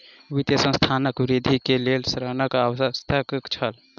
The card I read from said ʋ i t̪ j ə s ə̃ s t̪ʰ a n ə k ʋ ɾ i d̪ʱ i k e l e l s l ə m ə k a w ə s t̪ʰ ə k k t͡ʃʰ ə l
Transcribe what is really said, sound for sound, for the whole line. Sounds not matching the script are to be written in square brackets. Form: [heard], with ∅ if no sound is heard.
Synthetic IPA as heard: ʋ i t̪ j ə s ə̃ s t̪ʰ a n ə k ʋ ɾ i d̪ʱ i k e l e l s [ɾ] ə [n] ə k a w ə s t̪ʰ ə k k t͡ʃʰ ə l